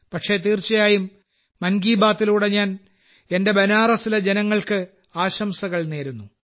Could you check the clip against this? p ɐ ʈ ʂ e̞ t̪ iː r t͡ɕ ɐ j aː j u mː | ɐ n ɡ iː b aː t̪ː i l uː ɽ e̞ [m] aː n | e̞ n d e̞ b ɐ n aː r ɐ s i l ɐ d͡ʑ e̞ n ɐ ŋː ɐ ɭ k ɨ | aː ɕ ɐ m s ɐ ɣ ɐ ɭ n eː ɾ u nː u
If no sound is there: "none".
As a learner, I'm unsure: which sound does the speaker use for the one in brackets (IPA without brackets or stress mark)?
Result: ɲ